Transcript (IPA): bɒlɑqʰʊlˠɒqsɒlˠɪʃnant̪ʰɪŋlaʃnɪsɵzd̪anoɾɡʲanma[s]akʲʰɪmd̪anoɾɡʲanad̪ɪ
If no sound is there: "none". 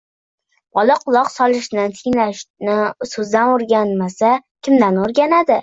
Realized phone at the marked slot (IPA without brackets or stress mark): s